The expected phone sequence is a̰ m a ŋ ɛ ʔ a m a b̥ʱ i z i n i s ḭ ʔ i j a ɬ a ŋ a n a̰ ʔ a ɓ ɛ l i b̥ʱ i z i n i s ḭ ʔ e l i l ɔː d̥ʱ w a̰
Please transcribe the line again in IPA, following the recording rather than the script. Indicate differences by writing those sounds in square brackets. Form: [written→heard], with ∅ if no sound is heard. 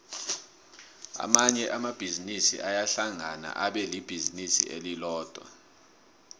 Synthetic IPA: a̰ m a [ŋ→ɲ] ɛ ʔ a m a b̥ʱ i z i n i s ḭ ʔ [i→a] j a ɬ a ŋ a n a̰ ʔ a ɓ ɛ l i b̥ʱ i z i n i s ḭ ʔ e l i l ɔː d̥ʱ w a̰